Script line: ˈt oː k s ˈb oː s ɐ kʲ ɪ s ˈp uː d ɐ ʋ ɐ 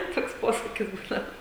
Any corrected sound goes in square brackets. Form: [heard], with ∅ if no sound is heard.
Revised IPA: ˈt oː k s [ˈp] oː s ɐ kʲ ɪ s [ˈb] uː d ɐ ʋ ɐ